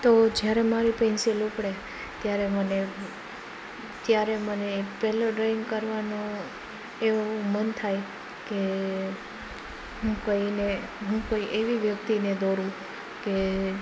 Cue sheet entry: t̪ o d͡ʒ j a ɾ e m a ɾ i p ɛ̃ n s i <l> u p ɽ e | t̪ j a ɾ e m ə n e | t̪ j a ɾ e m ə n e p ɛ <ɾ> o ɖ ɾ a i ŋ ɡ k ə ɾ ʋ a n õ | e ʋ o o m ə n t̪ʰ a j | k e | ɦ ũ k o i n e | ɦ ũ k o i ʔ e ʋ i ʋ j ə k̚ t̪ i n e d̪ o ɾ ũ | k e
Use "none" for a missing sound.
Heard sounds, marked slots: l, l

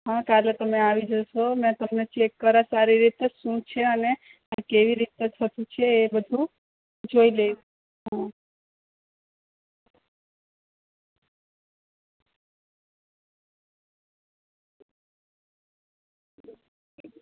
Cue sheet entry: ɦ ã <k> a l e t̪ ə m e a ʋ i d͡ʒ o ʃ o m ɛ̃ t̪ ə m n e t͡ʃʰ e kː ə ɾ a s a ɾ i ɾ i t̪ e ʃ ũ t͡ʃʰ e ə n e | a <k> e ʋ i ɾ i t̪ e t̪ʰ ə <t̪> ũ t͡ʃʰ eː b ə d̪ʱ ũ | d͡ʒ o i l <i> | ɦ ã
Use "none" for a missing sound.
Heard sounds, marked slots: k, k, t̪, e

